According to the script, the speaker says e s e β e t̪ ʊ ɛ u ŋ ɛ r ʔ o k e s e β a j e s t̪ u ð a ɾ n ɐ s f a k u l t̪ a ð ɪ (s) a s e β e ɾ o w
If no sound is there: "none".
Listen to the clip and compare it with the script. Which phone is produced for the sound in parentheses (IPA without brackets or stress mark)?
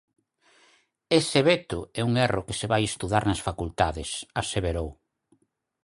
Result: s